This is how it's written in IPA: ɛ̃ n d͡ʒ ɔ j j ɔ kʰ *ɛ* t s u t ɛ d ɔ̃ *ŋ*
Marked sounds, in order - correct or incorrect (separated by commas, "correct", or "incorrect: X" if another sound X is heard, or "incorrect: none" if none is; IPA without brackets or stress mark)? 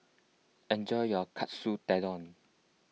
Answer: incorrect: a, incorrect: n